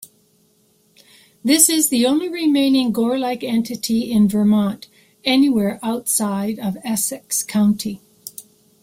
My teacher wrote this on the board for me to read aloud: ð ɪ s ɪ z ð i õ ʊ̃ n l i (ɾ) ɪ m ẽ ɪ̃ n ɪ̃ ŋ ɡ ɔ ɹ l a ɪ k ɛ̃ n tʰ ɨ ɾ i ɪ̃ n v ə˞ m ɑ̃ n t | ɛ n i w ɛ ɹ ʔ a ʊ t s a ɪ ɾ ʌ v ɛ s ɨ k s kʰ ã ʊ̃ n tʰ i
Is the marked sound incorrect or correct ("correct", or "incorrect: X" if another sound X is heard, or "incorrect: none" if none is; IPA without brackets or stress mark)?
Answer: incorrect: ɹ